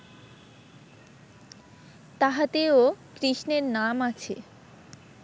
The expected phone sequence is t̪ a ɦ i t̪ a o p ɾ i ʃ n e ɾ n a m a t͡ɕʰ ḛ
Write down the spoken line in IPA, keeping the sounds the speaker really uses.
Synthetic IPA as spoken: t̪ a ɦ a t̪ e o k ɾ i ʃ n e ɾ n a m a t͡ɕʰ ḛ